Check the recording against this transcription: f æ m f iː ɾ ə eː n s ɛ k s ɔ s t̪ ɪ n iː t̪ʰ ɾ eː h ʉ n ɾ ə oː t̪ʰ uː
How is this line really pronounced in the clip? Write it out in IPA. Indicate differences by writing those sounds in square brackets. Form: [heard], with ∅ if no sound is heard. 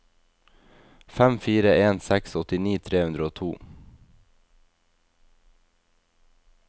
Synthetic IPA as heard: f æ m f iː ɾ ə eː n s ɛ k s ɔ [∅] t̪ ɪ n iː t̪ʰ ɾ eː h ʉ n ɾ ə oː t̪ʰ uː

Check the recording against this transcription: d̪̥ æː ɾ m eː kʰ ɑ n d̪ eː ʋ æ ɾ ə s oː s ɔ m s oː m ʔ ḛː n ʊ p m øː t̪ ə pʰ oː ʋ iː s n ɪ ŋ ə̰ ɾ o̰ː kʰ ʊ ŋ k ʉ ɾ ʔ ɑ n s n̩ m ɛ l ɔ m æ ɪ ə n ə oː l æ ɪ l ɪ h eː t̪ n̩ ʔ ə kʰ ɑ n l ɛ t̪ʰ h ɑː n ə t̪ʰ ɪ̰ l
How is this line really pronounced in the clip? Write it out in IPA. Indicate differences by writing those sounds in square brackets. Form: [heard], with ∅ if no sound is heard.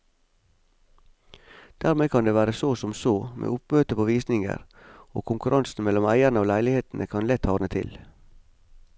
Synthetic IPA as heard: d̪̥ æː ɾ m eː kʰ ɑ n d̪ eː ʋ [æː] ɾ ə s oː s ɔ m s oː m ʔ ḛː [∅] ʊ p m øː t̪ ə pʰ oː ʋ iː s n ɪ ŋ ə̰ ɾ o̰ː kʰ ʊ ŋ k ʉ ɾ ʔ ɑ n s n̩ m ɛ l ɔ m æ ɪ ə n ə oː l æ ɪ l ɪ h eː t̪ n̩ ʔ ə kʰ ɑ n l ɛ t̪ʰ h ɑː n ə t̪ʰ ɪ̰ l

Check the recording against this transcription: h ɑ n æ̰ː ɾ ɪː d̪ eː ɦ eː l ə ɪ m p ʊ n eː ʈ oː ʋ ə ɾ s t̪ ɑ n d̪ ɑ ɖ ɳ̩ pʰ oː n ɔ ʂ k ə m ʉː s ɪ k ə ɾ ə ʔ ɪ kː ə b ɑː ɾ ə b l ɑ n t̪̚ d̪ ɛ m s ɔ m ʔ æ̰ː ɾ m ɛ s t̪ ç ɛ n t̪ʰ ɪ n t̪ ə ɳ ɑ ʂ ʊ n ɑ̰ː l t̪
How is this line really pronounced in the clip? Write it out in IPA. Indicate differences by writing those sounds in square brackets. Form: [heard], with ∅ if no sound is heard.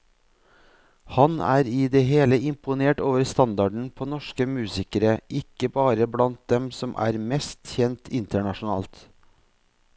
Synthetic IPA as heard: h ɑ n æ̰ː ɾ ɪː d̪ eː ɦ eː l ə ɪ m p ʊ n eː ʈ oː ʋ ə ɾ s t̪ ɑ n d̪ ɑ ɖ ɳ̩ pʰ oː n ɔ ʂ k ə m ʉː s ɪ k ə ɾ ə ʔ ɪ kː ə b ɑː ɾ ə b l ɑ n t̪̚ d̪ ɛ m s ɔ m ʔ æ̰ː ɾ m ɛ s t̪ ç ɛ n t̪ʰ ɪ n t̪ ə ɳ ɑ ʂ ʊ n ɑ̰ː l t̪

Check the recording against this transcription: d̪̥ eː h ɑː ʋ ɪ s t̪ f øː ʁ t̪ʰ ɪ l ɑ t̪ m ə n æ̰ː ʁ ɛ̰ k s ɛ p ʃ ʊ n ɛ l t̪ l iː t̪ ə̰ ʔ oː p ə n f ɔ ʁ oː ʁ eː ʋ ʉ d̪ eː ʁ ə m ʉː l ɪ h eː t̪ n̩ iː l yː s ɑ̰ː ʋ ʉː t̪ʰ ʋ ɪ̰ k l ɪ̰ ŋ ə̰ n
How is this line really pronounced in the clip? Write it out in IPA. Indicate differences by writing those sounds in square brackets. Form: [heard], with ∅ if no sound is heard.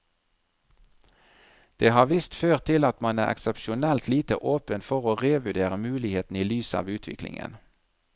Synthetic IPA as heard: d̪̥ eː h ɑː ʋ ɪ s t̪ f øː ʁ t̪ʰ ɪ l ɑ t̪ m [ɑ] n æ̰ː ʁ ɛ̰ k s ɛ p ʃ ʊ n ɛ l t̪ l iː t̪ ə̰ ʔ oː p ə n f ɔ ʁ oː ʁ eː ʋ ʉ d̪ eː ʁ ə m ʉː l ɪ h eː t̪ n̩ iː l yː s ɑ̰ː ʋ ʉː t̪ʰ ʋ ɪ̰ k l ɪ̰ ŋ ə̰ n

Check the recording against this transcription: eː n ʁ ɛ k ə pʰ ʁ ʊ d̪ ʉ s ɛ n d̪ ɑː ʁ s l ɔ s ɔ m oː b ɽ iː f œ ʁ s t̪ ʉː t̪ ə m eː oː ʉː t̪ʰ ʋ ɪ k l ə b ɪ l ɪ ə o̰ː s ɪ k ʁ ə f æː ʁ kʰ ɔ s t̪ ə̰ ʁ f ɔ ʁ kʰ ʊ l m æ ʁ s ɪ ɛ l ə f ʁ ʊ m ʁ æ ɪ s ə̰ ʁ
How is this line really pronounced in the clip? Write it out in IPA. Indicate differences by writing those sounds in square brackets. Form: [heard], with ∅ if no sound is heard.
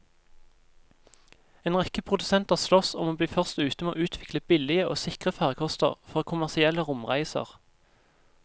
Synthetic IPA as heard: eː n ʁ ɛ k ə pʰ ʁ ʊ d̪ ʉ s ɛ n [t̪] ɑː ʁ s l ɔ s ɔ m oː b [l] iː f œ ʁ s t̪ ʉː t̪ ə m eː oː ʉː t̪ʰ ʋ ɪ k l ə b ɪ l ɪ ə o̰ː s ɪ k ʁ ə f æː ʁ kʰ ɔ s t̪ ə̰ ʁ f ɔ ʁ kʰ ʊ [∅] m æ ʁ s ɪ ɛ l ə [∅] ʁ ʊ m ʁ æ ɪ s ə̰ ʁ

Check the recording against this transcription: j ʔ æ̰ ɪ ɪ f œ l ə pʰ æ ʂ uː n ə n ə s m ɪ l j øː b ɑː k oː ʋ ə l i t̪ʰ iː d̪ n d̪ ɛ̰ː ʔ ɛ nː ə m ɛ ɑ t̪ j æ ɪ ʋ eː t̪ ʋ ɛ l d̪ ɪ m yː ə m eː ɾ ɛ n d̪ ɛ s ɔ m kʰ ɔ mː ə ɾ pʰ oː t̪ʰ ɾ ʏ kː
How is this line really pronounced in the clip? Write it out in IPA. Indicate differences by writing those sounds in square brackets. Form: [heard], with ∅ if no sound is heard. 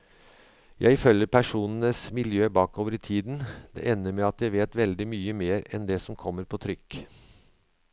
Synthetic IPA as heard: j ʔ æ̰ ɪ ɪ f œ l ə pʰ æ ʂ uː n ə n ə s m ɪ l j øː b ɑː k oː ʋ ə [ɾ] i t̪ʰ iː d̪ n d̪ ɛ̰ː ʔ ɛ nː ə m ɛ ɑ t̪ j æ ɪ ʋ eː t̪ ʋ ɛ l d̪ ɪ m yː ə m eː ɾ ɛ n d̪ ɛ s ɔ m kʰ ɔ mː ə ɾ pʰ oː t̪ʰ ɾ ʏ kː

